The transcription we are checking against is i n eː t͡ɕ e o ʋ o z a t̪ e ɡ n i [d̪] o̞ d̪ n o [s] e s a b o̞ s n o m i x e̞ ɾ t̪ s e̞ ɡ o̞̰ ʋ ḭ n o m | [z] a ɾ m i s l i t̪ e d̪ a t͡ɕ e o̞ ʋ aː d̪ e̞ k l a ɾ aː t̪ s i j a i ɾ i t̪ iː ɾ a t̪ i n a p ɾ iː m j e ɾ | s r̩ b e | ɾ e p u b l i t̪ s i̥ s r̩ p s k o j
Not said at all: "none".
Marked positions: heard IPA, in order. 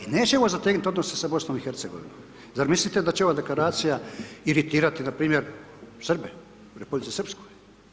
t̪, s, z

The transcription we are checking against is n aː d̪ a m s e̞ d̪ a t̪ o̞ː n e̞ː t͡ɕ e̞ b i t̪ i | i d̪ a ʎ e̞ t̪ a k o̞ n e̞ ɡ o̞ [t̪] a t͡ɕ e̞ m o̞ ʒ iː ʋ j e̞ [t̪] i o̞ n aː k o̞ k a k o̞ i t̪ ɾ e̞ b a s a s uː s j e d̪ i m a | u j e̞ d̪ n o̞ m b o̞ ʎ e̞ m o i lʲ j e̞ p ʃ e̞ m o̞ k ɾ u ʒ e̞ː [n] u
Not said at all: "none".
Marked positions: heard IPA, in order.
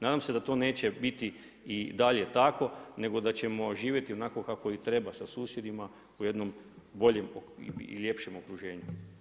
d̪, t̪, ɲ

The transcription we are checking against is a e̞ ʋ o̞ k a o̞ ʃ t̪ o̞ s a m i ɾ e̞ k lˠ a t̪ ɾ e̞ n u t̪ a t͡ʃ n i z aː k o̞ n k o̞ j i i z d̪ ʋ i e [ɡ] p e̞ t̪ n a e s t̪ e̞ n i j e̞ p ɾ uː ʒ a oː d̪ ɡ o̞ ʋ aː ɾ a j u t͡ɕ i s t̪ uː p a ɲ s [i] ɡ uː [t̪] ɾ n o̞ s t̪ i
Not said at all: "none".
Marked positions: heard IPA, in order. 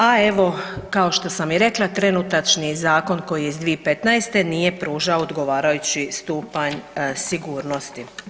none, i, none

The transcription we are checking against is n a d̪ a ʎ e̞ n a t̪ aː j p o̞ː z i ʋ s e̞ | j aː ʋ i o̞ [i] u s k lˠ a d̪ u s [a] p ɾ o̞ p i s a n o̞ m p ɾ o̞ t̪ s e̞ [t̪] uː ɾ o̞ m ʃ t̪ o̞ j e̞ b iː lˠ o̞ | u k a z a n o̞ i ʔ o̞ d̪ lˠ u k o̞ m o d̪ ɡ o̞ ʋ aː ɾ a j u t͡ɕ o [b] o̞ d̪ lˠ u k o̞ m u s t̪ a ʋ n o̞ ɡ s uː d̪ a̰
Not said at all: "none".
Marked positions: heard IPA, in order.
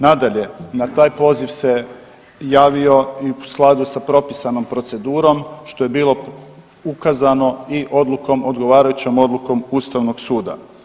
i, a, d̪, m

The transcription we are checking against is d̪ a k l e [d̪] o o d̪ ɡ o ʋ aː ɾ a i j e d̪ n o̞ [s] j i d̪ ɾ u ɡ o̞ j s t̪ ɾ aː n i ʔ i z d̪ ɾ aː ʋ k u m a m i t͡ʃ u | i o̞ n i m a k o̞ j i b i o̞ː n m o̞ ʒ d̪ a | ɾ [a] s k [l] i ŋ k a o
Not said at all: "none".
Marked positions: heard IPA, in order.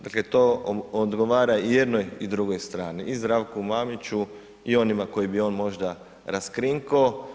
t̪, none, a, ɾ

